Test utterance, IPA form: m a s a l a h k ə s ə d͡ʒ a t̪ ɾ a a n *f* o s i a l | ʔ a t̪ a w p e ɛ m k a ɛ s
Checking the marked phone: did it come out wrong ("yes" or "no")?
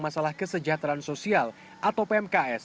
yes